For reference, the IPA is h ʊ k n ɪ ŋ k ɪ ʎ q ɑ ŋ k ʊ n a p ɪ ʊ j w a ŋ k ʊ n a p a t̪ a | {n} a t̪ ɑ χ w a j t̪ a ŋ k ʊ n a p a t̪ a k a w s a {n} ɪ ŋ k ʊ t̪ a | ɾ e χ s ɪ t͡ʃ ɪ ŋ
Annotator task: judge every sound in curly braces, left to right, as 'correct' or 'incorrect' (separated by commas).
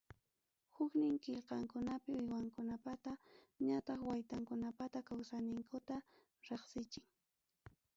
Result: incorrect, correct